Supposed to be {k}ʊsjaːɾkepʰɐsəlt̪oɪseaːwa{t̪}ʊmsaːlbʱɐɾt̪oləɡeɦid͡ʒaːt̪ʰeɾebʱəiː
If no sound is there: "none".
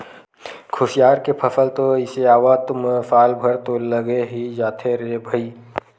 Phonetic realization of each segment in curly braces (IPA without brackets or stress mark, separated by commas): kʰ, t̪